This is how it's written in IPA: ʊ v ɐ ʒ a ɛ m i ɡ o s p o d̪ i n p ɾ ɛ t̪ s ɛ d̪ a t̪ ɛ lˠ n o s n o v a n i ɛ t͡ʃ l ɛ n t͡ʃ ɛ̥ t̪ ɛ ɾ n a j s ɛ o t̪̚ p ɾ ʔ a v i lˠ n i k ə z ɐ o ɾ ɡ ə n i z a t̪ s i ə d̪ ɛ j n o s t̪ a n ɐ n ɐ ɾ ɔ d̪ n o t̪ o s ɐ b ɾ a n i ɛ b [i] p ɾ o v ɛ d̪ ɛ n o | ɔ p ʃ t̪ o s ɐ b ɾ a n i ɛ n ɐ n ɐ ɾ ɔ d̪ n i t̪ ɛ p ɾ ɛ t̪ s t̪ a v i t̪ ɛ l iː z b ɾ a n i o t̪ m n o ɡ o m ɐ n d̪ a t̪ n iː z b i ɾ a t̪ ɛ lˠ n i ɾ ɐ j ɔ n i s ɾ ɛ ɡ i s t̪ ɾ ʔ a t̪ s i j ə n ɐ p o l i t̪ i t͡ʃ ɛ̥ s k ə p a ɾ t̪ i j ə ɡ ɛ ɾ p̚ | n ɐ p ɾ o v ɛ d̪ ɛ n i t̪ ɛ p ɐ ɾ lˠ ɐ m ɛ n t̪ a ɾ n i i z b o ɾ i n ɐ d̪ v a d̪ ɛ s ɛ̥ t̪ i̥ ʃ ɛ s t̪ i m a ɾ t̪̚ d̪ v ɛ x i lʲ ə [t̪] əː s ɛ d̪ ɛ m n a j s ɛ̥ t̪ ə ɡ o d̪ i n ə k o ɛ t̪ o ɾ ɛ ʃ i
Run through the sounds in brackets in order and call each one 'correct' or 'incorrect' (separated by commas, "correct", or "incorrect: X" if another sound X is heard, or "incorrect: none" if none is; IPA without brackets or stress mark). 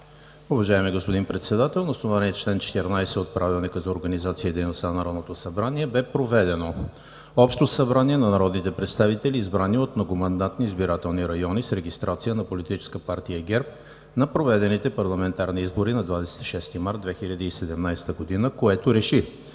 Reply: incorrect: ɛ, incorrect: d̪